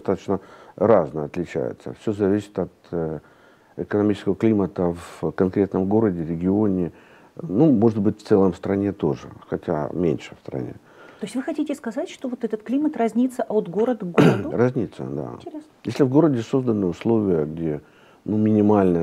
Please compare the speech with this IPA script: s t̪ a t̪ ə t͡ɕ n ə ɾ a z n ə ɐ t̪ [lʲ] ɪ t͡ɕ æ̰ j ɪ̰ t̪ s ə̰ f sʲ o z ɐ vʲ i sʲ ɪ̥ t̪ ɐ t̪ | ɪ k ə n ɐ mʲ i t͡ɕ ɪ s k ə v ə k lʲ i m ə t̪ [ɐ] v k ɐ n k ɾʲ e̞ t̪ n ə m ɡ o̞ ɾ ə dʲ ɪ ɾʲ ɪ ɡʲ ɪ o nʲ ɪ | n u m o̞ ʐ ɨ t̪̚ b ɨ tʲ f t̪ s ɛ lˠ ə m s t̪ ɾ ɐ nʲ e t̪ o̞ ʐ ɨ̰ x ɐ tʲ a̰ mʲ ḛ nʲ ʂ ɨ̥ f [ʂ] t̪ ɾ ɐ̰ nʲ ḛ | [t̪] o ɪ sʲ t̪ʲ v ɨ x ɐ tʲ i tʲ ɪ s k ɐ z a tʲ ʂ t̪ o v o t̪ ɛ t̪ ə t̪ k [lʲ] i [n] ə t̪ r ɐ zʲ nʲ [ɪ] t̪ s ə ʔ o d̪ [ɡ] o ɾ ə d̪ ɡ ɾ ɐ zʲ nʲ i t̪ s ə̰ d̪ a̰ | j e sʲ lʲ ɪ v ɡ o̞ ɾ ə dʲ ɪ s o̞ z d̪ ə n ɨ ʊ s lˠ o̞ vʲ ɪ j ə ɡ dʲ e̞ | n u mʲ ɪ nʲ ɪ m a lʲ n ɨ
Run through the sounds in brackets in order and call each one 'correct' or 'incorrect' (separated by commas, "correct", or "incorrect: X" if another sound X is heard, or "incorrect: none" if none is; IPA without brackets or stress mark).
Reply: correct, incorrect: ə, incorrect: s, correct, correct, incorrect: m, incorrect: i, correct